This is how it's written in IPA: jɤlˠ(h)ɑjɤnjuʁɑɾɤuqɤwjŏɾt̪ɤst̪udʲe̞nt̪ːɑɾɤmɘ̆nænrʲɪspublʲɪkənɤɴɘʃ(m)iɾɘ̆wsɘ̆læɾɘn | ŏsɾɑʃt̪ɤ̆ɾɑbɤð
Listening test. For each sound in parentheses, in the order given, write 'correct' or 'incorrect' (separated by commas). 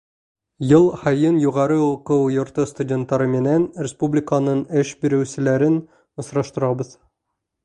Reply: correct, incorrect